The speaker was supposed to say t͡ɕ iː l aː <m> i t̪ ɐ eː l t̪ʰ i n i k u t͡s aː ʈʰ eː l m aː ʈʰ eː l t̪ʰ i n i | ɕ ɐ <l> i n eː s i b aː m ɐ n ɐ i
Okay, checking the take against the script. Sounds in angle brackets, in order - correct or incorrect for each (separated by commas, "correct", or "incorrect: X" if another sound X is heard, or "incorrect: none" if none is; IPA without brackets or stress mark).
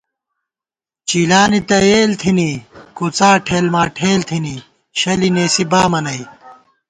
incorrect: n, correct